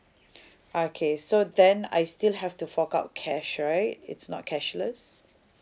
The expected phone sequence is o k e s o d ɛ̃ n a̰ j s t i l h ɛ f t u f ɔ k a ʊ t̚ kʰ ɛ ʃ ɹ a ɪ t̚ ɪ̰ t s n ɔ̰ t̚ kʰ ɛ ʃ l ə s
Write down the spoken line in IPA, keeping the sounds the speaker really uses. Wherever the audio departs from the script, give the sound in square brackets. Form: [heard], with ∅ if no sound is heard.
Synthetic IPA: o [kʰ] e s o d ɛ̃ n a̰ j s t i l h ɛ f t u f ɔ k a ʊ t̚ kʰ ɛ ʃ ɹ a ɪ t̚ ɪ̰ t s n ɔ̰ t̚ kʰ ɛ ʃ l ə s